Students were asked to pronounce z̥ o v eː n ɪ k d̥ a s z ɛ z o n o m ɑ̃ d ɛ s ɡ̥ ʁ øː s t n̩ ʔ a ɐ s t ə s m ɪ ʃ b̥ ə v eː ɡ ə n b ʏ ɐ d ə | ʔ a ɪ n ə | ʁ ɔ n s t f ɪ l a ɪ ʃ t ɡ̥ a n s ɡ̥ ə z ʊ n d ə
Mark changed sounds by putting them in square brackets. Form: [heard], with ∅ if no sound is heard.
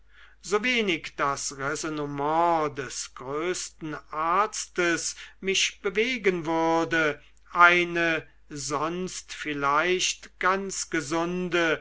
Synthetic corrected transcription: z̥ o v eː n ɪ k d̥ a s [ʁ] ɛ z o n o m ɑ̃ d ɛ s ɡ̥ ʁ øː s t n̩ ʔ a ɐ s t ə s m ɪ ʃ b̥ ə v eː ɡ ə n [v] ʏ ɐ d ə | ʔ a ɪ n ə | [z] ɔ n s t f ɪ l a ɪ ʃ t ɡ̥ a n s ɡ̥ ə z ʊ n d ə